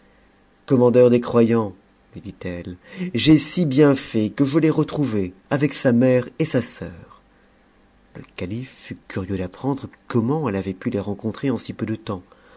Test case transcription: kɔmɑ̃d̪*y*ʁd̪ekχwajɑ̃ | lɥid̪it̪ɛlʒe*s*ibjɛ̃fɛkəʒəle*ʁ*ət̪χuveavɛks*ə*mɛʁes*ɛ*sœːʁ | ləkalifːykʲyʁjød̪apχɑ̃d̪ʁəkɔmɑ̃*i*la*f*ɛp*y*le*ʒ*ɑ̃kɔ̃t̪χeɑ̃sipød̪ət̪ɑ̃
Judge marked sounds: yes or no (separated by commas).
no, yes, yes, no, no, no, no, yes, no